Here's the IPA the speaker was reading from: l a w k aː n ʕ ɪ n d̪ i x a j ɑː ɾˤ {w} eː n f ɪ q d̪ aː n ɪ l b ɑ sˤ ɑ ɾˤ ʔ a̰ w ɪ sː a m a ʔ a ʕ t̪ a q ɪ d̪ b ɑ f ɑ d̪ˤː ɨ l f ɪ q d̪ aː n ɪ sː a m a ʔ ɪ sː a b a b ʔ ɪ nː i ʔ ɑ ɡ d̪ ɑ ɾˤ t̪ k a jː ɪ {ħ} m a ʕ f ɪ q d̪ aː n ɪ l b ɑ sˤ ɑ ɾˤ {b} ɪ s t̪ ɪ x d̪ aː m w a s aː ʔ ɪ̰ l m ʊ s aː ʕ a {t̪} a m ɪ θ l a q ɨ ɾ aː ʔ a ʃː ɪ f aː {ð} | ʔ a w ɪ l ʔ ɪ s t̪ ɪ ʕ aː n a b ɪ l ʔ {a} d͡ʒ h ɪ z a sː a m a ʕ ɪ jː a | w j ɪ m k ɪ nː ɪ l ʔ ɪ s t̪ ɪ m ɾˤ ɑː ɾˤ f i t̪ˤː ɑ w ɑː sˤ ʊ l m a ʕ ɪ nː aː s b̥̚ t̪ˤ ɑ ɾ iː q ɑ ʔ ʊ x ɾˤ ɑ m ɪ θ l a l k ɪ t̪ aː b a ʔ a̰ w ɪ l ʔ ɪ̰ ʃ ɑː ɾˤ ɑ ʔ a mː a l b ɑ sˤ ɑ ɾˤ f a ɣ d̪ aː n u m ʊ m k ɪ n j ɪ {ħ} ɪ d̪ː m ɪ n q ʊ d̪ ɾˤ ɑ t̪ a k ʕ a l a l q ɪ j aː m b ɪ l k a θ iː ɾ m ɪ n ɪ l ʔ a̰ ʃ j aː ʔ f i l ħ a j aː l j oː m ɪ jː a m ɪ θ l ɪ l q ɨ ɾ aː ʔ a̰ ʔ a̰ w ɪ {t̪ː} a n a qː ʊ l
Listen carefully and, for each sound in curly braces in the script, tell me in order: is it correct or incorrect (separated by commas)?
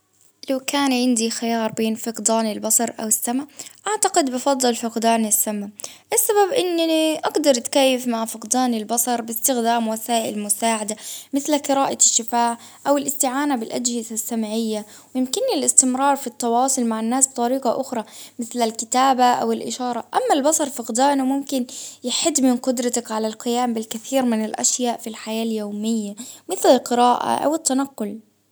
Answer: incorrect, incorrect, correct, incorrect, incorrect, correct, correct, correct